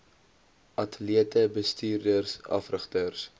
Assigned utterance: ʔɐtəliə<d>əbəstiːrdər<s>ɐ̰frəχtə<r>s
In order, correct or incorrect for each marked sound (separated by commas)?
incorrect, correct, correct